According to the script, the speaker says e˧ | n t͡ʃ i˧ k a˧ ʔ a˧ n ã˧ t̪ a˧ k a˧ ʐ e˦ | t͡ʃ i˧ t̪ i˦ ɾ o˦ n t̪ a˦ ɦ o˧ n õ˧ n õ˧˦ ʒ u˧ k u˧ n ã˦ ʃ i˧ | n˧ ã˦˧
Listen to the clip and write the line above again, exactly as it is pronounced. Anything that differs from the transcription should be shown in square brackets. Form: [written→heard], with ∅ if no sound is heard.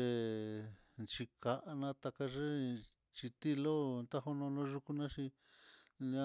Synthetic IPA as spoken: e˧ | n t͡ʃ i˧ k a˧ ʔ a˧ n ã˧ t̪ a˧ k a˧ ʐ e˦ | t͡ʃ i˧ t̪ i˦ [ɾ→l] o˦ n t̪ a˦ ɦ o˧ n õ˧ n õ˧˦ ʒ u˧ k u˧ n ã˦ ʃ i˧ | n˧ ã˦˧